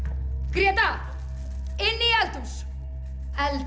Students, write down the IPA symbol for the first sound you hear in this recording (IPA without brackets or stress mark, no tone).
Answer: k